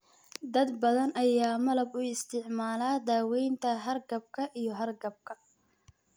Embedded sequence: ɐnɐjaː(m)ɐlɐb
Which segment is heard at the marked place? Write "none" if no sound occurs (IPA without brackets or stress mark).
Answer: m